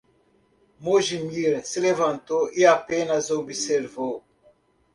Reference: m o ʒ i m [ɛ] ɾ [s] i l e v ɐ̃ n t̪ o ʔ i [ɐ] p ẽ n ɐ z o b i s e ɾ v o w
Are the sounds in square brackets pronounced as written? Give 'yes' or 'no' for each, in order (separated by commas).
no, yes, no